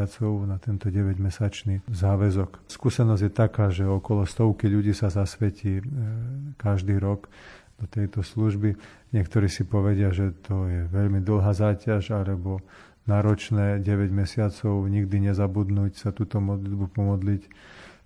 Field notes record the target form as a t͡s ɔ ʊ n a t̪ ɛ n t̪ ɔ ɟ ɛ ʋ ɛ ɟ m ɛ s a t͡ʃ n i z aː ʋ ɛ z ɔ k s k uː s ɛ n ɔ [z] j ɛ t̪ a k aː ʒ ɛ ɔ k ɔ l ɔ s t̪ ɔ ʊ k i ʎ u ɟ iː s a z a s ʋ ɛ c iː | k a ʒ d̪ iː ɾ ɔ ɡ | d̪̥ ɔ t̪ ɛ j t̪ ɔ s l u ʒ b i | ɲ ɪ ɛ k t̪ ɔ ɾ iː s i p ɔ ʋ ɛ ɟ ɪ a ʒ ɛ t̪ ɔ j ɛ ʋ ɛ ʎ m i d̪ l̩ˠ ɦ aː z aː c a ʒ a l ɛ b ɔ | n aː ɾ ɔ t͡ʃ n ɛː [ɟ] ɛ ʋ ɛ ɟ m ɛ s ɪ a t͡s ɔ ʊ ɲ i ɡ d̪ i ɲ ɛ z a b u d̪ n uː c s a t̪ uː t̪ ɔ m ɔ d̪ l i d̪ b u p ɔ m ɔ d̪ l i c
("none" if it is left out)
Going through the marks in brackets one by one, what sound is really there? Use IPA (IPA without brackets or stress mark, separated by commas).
z, ɟ